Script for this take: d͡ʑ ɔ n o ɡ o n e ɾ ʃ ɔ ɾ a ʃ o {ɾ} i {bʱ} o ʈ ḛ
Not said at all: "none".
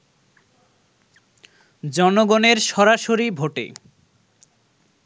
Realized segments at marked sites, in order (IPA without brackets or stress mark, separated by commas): ɾ, bʱ